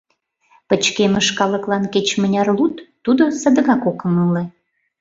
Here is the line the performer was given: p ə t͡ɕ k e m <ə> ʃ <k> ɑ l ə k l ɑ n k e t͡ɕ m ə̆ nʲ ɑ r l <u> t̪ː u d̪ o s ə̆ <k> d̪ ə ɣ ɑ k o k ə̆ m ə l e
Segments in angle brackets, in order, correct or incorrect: correct, correct, correct, incorrect: none

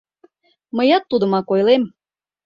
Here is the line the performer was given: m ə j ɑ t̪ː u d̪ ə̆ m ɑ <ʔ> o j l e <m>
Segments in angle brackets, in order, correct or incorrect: incorrect: k, correct

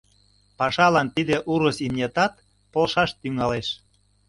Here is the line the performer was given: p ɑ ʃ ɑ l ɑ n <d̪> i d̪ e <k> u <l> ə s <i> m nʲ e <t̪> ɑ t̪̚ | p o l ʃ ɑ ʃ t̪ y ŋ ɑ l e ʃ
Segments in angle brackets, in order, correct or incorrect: incorrect: t̪, incorrect: ʔ, incorrect: ɾ, correct, correct

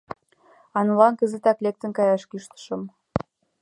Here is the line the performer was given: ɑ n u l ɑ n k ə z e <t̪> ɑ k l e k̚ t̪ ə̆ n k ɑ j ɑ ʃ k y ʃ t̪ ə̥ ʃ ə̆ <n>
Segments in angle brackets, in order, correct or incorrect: correct, incorrect: m

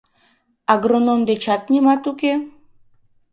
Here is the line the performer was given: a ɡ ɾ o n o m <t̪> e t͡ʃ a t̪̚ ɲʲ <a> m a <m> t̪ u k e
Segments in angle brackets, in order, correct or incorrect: incorrect: d̪, incorrect: i, incorrect: none

